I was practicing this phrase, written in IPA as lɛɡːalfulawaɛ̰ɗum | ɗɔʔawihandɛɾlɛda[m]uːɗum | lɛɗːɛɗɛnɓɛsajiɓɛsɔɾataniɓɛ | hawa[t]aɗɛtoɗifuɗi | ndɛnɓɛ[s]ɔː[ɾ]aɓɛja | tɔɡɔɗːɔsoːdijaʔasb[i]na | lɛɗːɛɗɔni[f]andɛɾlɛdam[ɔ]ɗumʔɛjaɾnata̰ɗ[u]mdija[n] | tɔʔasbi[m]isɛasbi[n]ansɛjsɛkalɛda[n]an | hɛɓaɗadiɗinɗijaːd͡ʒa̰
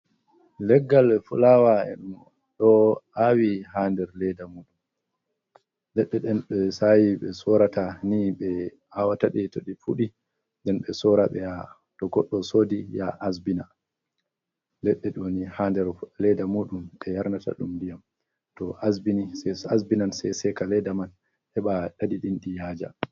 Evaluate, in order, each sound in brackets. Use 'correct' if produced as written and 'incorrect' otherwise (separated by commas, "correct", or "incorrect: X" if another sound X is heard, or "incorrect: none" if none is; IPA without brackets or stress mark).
correct, correct, correct, correct, correct, incorrect: h, incorrect: u, correct, incorrect: m, incorrect: n, correct, incorrect: m